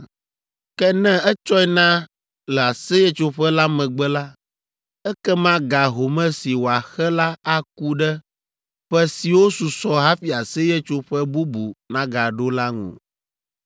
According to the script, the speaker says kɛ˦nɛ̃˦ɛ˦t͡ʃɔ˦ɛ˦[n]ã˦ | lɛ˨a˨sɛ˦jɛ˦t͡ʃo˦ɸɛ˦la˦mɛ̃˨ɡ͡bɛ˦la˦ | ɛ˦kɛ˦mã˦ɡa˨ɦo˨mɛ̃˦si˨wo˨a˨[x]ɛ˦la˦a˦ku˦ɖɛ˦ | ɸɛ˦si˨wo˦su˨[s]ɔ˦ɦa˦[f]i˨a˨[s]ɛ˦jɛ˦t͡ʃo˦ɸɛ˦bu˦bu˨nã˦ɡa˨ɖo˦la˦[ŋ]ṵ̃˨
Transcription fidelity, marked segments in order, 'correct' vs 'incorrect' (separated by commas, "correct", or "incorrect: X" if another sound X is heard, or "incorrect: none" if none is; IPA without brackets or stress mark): correct, correct, correct, correct, correct, correct